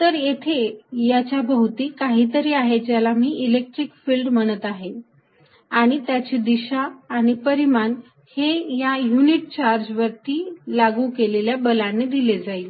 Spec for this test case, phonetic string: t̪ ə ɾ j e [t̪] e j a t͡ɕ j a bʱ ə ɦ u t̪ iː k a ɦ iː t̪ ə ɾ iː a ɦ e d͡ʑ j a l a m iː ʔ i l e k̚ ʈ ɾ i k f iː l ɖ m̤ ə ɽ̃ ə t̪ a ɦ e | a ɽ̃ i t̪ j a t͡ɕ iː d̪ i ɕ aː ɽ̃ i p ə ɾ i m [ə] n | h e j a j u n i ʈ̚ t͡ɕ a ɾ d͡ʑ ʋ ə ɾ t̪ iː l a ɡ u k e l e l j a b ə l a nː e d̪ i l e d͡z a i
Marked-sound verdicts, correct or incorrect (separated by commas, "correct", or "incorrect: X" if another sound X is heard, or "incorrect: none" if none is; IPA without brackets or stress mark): incorrect: t̪ʰ, incorrect: a